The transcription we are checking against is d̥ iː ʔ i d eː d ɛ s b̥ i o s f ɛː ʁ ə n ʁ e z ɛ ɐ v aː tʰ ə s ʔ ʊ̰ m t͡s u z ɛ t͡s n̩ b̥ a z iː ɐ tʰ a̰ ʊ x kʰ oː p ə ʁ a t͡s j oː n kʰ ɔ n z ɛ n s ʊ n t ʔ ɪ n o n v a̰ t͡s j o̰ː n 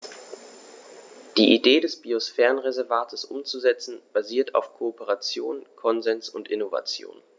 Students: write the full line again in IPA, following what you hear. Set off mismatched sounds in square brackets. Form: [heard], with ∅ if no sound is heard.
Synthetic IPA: d̥ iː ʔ i d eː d ɛ s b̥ i o s f ɛː ʁ ə n ʁ e z ɛ ɐ v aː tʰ ə s ʔ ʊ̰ m t͡s u z ɛ t͡s n̩ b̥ a z iː ɐ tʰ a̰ ʊ [f] kʰ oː p ə ʁ a t͡s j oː n kʰ ɔ n z ɛ n s ʊ n t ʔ ɪ n o [∅] v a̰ t͡s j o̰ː n